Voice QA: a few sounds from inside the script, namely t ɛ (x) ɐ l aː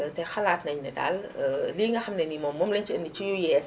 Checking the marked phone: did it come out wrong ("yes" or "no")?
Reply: no